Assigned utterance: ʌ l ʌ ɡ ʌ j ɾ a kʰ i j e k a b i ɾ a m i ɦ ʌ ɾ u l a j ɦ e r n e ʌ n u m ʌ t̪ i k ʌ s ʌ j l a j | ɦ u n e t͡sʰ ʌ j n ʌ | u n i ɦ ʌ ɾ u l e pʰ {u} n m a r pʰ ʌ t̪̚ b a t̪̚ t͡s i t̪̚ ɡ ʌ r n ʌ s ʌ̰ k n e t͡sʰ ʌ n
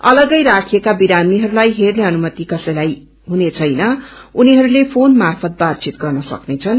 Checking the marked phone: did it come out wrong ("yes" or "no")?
yes